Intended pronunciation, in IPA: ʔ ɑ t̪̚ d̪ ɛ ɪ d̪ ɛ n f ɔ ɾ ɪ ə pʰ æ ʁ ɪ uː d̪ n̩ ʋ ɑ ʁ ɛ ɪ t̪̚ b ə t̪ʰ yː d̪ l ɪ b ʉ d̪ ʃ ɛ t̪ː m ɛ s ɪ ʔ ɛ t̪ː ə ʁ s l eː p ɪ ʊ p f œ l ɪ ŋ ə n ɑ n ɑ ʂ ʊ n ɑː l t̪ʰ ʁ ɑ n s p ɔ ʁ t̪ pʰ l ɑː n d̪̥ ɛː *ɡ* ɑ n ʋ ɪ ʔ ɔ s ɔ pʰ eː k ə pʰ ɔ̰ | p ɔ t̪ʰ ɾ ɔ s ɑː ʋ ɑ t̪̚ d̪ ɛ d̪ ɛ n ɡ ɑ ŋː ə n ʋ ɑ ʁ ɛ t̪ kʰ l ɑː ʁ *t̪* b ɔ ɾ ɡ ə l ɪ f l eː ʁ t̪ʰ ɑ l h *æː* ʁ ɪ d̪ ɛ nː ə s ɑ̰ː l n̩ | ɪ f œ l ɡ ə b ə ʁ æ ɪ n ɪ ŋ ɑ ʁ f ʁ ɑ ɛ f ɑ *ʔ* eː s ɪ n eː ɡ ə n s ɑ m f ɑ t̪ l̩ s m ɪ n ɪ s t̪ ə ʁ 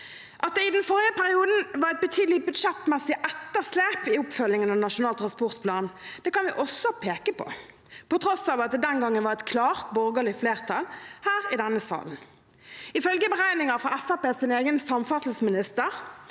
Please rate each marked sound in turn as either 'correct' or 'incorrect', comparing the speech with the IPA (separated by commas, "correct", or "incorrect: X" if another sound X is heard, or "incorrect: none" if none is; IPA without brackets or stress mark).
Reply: incorrect: k, correct, correct, incorrect: p